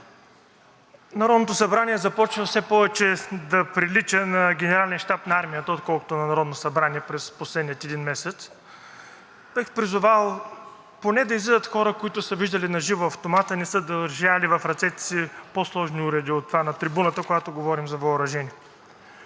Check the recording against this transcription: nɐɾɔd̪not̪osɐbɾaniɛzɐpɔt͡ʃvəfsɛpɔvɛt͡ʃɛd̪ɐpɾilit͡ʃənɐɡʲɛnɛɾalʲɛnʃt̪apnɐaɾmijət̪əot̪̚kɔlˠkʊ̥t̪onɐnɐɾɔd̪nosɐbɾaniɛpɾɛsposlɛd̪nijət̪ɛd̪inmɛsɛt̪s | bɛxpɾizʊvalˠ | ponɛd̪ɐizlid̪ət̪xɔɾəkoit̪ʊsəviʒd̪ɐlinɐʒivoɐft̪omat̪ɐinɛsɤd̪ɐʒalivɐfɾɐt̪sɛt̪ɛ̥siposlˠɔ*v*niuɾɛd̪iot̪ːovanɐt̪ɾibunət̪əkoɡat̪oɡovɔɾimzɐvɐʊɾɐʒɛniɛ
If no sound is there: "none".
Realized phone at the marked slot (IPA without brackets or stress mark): ʒ